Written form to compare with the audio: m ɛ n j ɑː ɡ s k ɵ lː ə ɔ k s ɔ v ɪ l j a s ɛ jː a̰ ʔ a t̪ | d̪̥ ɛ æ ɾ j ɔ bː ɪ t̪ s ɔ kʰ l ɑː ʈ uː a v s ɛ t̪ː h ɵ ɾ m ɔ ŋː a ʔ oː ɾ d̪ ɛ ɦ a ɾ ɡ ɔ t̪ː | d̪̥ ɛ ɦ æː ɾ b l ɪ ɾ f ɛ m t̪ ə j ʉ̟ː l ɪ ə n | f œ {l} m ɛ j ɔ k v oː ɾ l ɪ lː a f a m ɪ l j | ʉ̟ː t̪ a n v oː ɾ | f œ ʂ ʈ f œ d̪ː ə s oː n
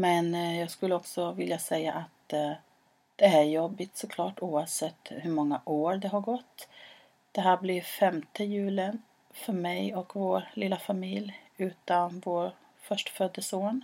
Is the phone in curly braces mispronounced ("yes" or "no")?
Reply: yes